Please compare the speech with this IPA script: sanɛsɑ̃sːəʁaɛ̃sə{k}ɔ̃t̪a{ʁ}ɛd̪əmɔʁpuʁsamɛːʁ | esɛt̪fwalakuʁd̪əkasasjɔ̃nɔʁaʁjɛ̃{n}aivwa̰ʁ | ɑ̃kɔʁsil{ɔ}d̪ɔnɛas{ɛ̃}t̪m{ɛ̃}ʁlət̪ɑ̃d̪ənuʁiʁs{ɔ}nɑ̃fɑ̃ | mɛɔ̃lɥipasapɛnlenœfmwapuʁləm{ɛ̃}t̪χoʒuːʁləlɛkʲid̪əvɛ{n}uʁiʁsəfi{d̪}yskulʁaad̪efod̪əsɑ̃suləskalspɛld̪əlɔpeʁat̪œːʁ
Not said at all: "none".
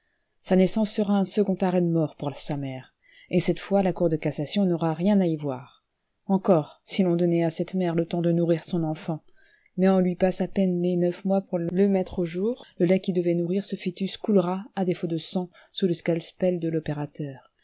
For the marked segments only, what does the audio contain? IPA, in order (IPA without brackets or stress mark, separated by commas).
ɡ, ʁ, n, ɔ̃, ɛ, ɛ, ɔ̃, ɛ, n, t̪